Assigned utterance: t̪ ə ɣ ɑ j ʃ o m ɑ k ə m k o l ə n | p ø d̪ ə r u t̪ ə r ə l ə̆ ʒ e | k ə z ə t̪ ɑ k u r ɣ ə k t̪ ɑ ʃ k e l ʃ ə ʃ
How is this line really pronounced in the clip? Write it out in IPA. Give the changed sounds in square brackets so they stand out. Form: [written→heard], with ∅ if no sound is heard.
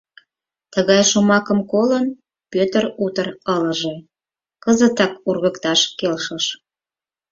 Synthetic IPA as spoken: t̪ ə ɣ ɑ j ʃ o m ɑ k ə m k o l ə n | p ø [d̪→t̪] ə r u t̪ ə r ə l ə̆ ʒ e | k ə z ə t̪ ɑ k u r ɣ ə k t̪ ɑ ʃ k e l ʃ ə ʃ

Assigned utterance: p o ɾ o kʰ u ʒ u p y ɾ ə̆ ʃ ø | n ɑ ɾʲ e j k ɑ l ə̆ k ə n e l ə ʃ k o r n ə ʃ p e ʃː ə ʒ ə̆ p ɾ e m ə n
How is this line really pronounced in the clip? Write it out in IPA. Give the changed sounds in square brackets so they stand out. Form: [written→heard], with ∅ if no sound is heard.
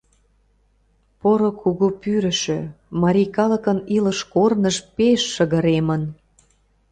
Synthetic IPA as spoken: p o ɾ o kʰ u [ʒ→ɣ] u p y ɾ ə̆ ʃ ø | [n→m] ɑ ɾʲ [e→i] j k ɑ l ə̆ k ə n [e→i] l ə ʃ k o r n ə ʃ p e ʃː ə [ʒ→ɣ] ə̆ [p→∅] ɾ e m ə n

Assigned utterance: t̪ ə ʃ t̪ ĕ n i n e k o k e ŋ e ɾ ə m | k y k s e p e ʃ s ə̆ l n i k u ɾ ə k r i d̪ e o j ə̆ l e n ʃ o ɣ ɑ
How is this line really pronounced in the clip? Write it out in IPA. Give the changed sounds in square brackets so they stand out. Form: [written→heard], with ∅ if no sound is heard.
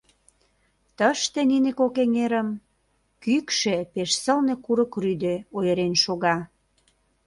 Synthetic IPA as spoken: t̪ ə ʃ t̪ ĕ n i n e k o k e ŋ e ɾ ə m | k y k [s→ʃ] e p e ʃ s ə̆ l n [i→e] k u ɾ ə k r [i→y] d̪ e o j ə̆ [l→ɾ] e n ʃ o ɣ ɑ

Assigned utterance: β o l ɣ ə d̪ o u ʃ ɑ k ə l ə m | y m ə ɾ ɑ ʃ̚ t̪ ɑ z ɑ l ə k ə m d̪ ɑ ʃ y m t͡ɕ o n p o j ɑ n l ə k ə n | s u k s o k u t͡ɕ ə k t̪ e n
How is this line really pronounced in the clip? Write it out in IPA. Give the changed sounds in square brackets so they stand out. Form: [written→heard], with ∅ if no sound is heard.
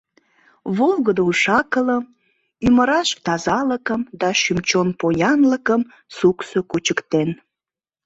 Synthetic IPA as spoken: β o l ɣ ə d̪ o u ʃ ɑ k ə l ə m | y m ə ɾ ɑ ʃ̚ t̪ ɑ z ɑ l ə k ə m d̪ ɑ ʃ y m t͡ɕ o n p o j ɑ n l ə k ə [n→m] | s u k s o k u t͡ɕ ə k t̪ e n

